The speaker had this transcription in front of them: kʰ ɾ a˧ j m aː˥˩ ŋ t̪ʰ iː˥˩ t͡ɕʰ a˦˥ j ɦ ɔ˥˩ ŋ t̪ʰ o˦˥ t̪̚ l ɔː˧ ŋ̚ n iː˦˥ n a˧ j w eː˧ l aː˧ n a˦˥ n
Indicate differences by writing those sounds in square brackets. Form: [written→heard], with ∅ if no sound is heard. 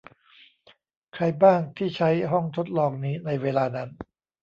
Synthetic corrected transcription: kʰ ɾ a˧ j [m→b] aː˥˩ ŋ t̪ʰ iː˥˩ t͡ɕʰ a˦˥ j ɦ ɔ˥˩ ŋ t̪ʰ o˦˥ t̪̚ l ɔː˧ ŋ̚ n iː˦˥ n a˧ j w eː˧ l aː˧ n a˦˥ n